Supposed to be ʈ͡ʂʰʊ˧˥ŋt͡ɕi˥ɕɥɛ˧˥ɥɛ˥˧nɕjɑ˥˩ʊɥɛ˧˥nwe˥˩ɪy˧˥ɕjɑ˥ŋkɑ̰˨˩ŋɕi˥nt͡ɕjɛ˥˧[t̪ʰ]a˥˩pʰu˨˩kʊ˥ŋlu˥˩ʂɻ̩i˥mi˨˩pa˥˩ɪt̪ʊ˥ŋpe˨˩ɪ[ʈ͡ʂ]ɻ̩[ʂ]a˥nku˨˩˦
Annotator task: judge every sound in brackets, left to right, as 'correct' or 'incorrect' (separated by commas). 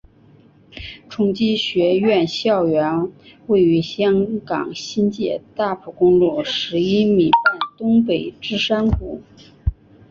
incorrect, correct, correct